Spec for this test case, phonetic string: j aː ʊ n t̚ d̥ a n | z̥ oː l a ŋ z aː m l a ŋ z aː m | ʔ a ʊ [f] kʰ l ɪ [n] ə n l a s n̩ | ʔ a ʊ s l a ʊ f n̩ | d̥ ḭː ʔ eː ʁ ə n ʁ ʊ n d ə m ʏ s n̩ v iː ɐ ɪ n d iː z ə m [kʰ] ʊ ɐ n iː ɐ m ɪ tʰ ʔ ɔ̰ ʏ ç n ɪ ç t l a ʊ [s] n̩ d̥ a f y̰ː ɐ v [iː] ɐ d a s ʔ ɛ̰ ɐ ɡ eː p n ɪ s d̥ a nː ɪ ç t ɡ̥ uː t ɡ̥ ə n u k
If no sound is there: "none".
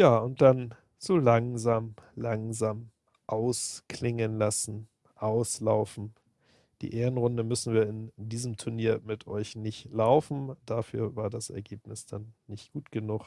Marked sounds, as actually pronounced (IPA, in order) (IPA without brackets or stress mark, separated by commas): s, ŋ, tʰ, f, aː